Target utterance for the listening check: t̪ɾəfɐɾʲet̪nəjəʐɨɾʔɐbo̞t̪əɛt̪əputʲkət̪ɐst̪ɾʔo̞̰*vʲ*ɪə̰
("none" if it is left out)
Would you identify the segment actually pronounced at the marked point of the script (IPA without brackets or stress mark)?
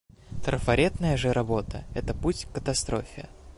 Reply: fʲ